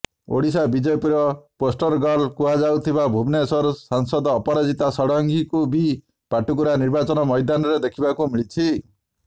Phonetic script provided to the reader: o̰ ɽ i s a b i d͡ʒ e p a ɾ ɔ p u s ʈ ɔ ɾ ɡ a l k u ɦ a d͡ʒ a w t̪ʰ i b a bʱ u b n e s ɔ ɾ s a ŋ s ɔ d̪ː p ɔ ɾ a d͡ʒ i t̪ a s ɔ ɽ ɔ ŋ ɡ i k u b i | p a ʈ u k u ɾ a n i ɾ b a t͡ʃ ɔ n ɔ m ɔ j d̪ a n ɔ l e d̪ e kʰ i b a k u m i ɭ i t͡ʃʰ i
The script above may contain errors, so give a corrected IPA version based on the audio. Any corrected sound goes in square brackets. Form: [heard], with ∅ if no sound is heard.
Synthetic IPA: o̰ ɽ i s a b i d͡ʒ e p [i] ɾ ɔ p [o] s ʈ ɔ ɾ ɡ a l k u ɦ a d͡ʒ a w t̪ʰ i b a bʱ u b n e s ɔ ɾ s a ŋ s ɔ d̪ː p ɔ ɾ a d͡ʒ i t̪ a s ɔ ɽ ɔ ŋ ɡ i k u b i | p a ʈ u k u ɾ a n i ɾ b a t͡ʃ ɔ n ɔ m ɔ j d̪ a n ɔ [ɾ] e d̪ e kʰ i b a k u m i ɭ i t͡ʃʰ i